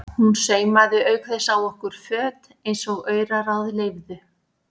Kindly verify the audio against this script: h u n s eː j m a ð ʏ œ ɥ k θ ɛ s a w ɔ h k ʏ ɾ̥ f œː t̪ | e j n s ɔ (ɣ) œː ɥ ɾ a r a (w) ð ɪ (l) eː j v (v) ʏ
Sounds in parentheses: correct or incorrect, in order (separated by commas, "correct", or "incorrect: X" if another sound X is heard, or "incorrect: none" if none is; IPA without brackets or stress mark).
correct, correct, correct, incorrect: ð